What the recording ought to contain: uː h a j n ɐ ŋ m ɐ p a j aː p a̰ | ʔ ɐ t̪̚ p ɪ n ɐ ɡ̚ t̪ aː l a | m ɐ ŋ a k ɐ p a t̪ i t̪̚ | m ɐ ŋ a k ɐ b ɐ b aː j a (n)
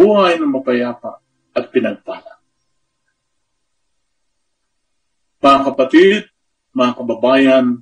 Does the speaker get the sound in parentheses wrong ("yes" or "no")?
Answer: no